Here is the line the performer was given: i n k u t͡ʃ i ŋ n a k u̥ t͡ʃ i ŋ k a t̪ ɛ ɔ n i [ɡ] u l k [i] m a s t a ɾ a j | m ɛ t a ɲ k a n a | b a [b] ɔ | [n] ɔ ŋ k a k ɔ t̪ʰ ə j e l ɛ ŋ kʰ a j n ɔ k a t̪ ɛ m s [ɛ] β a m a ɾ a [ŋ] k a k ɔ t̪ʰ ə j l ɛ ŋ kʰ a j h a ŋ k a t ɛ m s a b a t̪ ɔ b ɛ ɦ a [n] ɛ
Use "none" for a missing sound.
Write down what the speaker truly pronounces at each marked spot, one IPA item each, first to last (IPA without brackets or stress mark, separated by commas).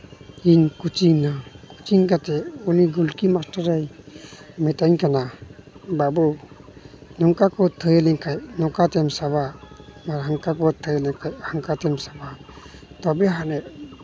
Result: ɡ, i, b, n, a, ŋ, n